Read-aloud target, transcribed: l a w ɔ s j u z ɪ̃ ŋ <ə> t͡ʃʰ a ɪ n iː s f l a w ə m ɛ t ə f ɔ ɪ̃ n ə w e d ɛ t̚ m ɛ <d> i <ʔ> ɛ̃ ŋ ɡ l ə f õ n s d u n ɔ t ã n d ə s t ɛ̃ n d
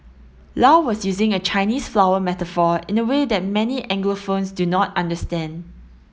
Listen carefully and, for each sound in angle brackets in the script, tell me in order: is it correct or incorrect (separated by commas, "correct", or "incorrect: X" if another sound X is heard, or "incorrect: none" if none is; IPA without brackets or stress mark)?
correct, incorrect: n, correct